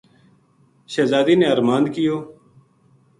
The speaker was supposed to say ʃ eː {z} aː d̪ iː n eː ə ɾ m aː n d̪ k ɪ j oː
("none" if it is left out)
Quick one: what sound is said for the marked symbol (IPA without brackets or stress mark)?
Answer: z